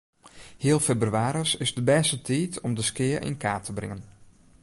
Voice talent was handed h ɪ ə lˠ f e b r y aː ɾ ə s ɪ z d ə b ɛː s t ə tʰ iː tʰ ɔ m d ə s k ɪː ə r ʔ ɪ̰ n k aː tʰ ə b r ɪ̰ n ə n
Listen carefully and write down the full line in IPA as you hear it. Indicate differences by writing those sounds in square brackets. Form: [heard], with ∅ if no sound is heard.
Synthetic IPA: h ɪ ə lˠ f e b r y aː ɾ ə s ɪ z d ə b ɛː s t ə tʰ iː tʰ ɔ m d ə s k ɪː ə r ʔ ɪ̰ n k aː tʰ ə b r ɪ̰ [ŋ] ə n